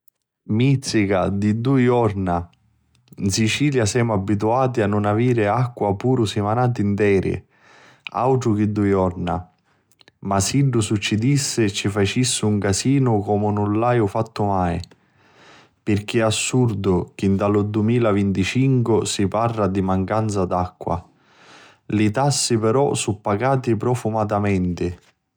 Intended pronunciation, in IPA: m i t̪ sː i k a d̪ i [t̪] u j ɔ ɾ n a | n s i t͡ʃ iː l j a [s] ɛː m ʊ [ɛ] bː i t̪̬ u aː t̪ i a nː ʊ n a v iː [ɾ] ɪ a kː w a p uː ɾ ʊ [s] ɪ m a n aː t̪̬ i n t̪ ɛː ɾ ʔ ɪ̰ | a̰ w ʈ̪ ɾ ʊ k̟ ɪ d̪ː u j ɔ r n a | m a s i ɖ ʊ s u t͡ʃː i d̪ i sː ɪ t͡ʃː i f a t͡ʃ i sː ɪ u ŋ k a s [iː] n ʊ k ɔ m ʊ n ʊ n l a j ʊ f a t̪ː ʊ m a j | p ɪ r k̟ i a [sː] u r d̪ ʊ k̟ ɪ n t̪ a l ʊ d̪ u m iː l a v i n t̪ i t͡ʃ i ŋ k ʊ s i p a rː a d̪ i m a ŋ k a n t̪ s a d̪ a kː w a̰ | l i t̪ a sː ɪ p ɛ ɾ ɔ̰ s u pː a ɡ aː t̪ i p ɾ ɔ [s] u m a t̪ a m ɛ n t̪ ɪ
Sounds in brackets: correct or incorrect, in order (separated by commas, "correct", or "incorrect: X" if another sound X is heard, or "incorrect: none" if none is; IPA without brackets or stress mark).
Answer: incorrect: d̪, correct, incorrect: a, correct, correct, correct, correct, incorrect: f